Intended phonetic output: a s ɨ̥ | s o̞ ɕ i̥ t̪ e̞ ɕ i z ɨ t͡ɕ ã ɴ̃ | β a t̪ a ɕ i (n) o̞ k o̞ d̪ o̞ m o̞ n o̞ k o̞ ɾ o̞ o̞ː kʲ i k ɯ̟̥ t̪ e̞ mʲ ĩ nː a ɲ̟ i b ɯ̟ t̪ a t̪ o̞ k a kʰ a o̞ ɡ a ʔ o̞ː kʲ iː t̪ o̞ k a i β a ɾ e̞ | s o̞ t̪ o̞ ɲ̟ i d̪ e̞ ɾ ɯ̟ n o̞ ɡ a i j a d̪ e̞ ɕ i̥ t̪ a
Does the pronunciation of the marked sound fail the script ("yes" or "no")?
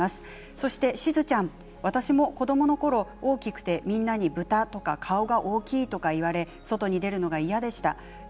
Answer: yes